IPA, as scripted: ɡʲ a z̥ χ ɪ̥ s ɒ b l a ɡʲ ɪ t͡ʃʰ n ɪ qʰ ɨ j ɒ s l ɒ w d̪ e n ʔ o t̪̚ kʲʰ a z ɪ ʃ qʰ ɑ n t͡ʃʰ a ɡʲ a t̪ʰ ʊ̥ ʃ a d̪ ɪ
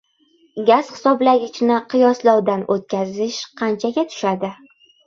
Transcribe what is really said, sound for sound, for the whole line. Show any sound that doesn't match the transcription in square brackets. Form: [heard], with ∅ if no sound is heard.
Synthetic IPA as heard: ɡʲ a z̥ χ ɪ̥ s ɒ b l a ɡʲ ɪ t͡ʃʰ n ɪ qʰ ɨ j ɒ s l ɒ w d̪ [a] n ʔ o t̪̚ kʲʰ a z ɪ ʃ qʰ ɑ n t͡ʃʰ a ɡʲ a t̪ʰ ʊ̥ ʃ a d̪ ɪ